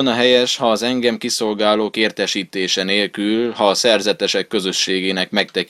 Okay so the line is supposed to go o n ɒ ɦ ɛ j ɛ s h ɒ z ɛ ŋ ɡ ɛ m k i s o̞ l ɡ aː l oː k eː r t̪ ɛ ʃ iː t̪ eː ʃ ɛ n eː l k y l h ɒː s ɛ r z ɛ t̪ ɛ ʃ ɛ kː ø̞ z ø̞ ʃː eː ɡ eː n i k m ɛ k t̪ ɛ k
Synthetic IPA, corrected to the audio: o n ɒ ɦ ɛ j ɛ ʃ h ɒː z ɛ ŋ ɡ ɛ m k i s o̞ l ɡ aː l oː k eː r t̪ ɛ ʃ iː t̪ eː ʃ ɛ n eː l k y l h ɒː s ɛ r z ɛ t̪ ɛ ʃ ɛ kː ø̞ z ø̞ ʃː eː ɡ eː n ɛ k m ɛ k t̪ ɛ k